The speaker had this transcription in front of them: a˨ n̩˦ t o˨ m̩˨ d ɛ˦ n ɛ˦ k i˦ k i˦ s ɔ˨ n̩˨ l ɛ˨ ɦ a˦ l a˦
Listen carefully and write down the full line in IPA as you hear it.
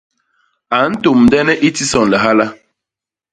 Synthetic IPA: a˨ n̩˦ t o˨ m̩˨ d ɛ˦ n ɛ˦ ʔ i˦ t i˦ s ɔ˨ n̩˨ l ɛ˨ ɦ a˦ l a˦